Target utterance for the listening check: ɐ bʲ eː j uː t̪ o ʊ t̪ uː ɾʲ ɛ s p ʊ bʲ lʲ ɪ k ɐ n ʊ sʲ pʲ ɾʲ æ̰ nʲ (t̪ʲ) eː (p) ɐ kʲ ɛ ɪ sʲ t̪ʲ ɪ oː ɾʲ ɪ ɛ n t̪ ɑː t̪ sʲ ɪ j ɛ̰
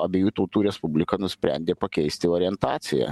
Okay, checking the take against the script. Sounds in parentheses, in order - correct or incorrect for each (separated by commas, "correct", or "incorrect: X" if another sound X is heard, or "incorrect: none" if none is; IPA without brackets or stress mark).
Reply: incorrect: d̪ʲ, correct